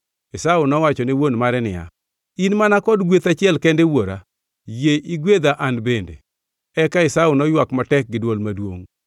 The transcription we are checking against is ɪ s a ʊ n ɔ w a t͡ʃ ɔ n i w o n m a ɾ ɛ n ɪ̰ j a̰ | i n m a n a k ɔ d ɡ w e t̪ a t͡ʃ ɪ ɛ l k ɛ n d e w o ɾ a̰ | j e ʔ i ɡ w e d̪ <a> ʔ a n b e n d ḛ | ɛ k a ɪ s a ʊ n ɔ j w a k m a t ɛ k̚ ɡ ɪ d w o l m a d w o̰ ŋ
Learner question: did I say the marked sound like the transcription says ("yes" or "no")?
yes